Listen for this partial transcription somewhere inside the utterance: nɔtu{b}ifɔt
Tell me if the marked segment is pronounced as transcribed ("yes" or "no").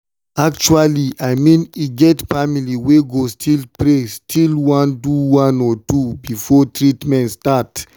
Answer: yes